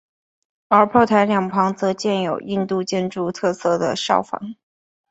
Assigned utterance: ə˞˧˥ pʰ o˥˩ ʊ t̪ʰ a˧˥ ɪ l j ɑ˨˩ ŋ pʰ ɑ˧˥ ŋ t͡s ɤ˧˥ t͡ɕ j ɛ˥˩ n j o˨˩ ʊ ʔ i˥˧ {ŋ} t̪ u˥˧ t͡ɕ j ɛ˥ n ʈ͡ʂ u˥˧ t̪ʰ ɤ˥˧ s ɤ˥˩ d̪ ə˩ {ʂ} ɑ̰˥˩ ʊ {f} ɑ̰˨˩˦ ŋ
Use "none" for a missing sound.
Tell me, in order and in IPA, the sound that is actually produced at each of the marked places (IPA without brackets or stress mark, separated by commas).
n, ʂ, f